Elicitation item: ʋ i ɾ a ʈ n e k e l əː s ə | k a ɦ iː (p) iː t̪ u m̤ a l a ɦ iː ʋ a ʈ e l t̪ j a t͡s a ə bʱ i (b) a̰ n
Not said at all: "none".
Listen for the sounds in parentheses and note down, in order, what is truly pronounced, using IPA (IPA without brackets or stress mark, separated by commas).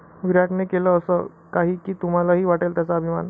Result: k, m